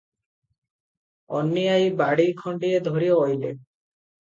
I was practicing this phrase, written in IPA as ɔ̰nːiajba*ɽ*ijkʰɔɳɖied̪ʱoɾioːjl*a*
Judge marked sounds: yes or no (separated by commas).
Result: yes, no